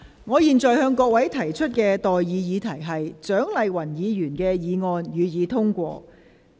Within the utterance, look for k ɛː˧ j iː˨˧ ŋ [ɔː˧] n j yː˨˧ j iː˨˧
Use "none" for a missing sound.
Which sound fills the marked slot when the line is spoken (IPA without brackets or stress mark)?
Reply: ɔː˧